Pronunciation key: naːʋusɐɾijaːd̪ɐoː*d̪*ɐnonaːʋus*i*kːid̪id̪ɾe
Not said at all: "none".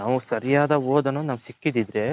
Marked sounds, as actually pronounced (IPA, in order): d̪, i

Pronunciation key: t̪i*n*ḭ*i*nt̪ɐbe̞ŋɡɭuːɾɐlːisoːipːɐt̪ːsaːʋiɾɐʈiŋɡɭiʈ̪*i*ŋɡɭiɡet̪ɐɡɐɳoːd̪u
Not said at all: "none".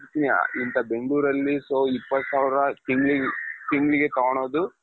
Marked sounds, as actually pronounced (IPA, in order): n, i, i

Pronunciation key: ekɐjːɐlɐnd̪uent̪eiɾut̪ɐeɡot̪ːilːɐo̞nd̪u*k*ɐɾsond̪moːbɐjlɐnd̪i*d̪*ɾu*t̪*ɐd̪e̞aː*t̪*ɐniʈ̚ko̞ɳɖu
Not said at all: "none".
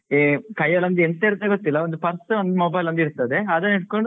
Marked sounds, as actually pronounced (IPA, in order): p, none, t̪, d̪

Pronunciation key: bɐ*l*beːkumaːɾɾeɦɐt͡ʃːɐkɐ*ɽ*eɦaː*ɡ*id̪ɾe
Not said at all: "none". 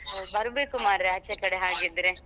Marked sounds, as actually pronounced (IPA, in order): ɾ, ɽ, ɡ

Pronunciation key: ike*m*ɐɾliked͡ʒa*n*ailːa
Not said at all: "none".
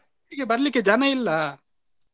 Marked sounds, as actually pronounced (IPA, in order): b, n

